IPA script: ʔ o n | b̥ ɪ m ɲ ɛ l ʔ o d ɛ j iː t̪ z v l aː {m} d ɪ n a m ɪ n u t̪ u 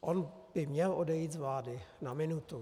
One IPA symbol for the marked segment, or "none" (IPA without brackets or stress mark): none